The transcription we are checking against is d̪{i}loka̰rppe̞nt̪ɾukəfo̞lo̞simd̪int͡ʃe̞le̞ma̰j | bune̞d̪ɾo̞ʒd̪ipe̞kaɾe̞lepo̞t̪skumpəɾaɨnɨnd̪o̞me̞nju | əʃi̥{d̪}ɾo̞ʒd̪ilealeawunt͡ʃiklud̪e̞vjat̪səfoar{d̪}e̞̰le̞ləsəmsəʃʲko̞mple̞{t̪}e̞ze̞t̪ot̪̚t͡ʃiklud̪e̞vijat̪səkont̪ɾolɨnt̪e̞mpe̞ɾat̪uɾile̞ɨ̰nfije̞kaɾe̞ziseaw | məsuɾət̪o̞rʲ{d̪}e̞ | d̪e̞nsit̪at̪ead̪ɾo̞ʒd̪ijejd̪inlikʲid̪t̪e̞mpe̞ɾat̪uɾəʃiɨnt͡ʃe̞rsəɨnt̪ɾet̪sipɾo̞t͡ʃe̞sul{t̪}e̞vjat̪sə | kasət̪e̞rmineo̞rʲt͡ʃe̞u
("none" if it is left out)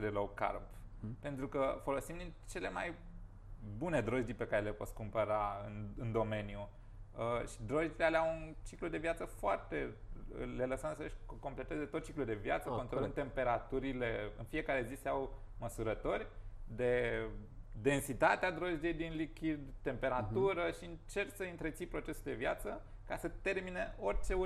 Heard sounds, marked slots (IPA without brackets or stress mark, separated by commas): e, d̪, t̪, t̪, d̪, d̪